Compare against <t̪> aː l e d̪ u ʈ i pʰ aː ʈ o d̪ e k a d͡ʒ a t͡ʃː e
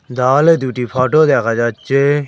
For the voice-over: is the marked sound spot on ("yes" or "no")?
no